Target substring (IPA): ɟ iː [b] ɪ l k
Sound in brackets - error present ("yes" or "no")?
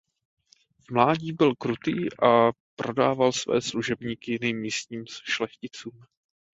no